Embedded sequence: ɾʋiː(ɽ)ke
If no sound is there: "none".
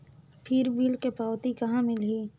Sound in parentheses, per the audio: l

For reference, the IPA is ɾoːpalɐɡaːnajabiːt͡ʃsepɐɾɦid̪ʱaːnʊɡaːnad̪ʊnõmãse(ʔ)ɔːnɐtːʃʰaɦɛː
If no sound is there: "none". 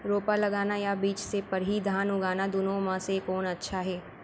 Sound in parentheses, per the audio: k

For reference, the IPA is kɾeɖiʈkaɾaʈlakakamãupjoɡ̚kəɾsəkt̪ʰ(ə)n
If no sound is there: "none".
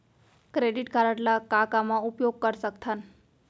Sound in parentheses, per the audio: a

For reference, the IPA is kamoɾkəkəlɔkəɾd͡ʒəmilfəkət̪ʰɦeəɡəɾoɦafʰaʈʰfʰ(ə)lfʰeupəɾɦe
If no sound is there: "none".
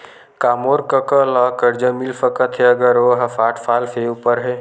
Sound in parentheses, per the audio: a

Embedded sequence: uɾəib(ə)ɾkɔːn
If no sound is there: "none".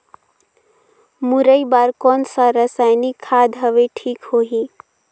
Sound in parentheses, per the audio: a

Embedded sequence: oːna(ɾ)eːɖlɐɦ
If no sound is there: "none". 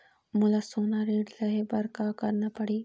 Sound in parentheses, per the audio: ɾ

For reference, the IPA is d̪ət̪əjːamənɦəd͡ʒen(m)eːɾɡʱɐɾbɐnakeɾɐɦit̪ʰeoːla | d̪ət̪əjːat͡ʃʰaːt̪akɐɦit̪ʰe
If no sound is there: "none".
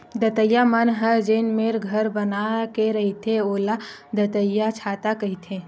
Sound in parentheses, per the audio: m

